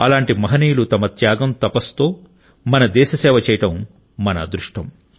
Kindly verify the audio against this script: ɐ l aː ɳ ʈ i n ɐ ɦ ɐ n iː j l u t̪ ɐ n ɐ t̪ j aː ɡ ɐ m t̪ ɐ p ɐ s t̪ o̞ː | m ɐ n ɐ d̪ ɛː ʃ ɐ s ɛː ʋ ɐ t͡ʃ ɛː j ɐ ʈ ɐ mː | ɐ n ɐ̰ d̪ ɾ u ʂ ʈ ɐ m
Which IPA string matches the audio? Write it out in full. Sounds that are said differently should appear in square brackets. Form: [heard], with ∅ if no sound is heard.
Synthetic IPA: ɐ l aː ɳ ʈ i [m] ɐ ɦ ɐ n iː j l u t̪ ɐ [m] ɐ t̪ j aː ɡ ɐ m t̪ ɐ p ɐ s t̪ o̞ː | m ɐ n ɐ d̪ ɛː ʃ ɐ s ɛː ʋ ɐ t͡ʃ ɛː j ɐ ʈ ɐ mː | ɐ n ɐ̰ d̪ ɾ u ʂ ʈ ɐ m

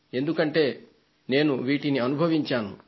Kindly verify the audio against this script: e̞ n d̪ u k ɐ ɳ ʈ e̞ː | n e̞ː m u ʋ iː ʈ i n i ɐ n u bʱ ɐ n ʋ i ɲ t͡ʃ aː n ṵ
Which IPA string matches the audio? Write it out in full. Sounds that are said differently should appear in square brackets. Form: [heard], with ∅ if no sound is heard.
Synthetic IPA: e̞ n d̪ u k ɐ ɳ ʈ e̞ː | n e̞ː [n] u ʋ iː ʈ i n i ɐ n u bʱ ɐ [∅] ʋ i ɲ t͡ʃ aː n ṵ

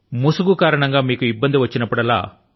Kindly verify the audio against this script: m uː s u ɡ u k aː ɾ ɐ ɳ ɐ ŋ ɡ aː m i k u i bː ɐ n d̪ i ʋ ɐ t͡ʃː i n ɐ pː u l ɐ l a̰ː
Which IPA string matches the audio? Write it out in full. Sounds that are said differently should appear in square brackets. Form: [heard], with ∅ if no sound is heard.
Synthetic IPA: m [u] s u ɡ u k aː ɾ ɐ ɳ ɐ ŋ ɡ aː m [iː] k u i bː ɐ n d̪ i ʋ ɐ t͡ʃː i n ɐ pː u [ɽ] ɐ l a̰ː

